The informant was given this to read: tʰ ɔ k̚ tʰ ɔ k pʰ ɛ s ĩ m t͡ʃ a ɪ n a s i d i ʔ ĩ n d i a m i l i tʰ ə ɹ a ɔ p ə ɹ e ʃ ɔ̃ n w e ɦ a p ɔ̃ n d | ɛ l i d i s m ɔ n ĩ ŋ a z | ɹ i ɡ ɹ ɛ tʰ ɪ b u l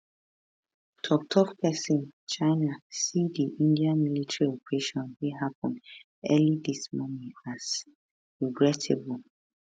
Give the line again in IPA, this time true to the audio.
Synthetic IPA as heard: tʰ ɔ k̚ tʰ ɔ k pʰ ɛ s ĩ n t͡ʃ a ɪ n a s i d i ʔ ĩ n d i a m i l i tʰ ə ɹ i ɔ p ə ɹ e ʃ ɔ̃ n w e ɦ a p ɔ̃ n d | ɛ l i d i s m ɔ n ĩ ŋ a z | ɹ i ɡ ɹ ɛ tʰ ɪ b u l